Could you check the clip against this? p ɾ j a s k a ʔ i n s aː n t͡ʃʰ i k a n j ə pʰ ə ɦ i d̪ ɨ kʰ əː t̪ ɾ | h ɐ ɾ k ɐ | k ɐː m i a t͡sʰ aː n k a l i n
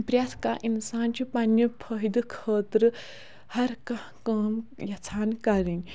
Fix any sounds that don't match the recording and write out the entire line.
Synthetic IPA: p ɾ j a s k a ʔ i n s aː n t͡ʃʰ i p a n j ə pʰ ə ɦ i d̪ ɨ kʰ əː t̪ ɾ | h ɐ ɾ k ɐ | k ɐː m j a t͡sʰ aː n k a ɾ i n